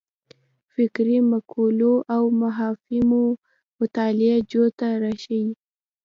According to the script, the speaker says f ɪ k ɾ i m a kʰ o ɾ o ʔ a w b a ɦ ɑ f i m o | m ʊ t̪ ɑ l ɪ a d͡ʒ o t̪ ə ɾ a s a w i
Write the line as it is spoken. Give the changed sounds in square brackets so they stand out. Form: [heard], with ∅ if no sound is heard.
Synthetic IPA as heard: f ɪ k ɾ i m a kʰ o [l] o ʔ a w [m] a ɦ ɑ f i m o | m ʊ t̪ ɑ l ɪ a d͡ʒ o t̪ [a] ɾ a [ʃ] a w i